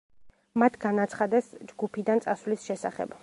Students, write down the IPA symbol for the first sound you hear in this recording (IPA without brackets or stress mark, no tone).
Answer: m